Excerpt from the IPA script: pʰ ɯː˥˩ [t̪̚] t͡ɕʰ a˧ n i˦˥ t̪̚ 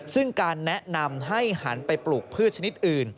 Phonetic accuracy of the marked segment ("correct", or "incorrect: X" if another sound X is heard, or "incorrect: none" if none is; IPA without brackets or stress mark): correct